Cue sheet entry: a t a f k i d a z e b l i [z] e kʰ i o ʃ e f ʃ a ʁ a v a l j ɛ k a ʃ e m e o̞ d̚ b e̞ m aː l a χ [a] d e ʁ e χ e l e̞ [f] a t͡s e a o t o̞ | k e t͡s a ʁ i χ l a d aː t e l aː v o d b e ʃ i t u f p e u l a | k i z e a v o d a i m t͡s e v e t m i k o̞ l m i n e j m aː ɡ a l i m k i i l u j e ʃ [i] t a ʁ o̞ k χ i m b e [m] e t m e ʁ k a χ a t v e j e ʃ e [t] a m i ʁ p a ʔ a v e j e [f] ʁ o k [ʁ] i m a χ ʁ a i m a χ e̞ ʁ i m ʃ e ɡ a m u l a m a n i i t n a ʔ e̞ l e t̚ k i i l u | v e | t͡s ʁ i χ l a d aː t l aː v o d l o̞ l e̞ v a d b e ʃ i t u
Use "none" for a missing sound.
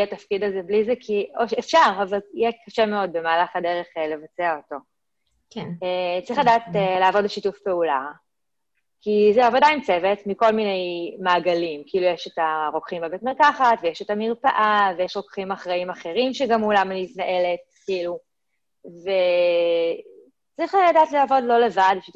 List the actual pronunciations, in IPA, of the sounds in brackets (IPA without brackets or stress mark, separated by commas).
z, a, v, e, b, t, ʃ, χ